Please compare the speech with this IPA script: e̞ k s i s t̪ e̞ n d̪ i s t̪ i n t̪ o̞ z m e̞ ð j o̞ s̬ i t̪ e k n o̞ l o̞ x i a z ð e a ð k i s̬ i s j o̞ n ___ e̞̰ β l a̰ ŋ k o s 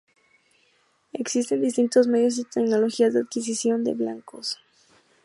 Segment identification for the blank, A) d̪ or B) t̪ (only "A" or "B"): A